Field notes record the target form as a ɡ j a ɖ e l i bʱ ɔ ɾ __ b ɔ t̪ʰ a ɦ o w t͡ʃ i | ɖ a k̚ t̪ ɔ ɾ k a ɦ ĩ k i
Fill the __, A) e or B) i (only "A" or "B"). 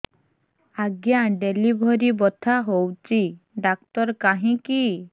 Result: B